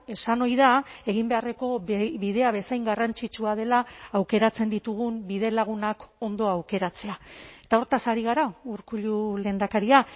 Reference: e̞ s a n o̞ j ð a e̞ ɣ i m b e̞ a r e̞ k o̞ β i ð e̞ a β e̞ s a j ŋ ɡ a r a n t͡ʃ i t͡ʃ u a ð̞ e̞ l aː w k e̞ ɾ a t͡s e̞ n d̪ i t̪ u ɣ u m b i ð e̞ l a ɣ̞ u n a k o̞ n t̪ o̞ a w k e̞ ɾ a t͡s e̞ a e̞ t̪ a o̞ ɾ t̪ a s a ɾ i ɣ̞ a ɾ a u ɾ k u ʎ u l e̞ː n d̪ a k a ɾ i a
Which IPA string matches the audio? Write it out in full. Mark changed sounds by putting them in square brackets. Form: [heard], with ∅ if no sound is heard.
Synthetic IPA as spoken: e̞ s a n o̞ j ð a e̞ ɣ i m b e̞ a r e̞ k o̞ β i ð e̞ a β e̞ s a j ŋ ɡ a r a n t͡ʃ i t͡ʃ u a ð̞ e̞ l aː w k e̞ ɾ a t͡s e̞ n d̪ i t̪ u ɣ u m b i ð e̞ l a ɣ̞ u n a k o̞ n [d̪] o̞ a w k e̞ ɾ a t͡s e̞ a e̞ t̪ a o̞ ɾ t̪ a s a ɾ i ɣ̞ a ɾ a u ɾ k u ʎ u l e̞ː n d̪ a k a ɾ i a